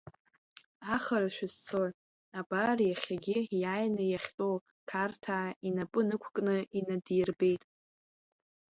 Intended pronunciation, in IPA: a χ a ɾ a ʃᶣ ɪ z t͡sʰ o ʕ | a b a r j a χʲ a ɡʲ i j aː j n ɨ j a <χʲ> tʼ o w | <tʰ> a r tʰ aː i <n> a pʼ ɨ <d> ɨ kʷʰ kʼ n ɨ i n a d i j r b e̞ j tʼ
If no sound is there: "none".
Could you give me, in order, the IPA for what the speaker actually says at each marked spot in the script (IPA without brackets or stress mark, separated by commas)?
χʲ, kʰ, n, n